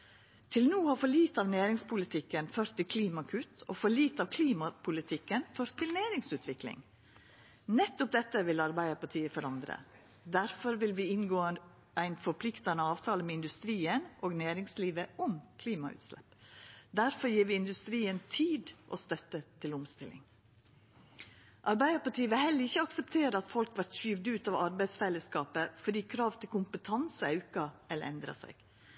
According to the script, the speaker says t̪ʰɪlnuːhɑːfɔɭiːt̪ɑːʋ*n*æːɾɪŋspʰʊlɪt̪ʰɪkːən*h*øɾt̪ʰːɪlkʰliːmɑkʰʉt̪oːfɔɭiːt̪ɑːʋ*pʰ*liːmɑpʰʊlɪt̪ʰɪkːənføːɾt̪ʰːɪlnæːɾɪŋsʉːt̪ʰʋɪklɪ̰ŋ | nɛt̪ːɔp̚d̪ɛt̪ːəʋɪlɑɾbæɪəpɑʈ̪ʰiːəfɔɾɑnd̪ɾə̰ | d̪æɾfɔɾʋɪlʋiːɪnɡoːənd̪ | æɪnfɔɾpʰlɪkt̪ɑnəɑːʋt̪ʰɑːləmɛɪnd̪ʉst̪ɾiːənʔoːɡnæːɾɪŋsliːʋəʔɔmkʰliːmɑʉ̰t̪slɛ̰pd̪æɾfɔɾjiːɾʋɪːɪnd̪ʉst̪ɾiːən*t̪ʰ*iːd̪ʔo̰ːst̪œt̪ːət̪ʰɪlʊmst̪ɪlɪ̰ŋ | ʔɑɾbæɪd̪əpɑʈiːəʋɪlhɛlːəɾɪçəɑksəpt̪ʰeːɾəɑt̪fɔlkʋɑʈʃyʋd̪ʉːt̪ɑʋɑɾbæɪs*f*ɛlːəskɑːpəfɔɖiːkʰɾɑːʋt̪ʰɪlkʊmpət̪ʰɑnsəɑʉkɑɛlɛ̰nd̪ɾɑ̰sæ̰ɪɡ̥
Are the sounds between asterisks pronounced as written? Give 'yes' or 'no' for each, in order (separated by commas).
yes, no, no, yes, yes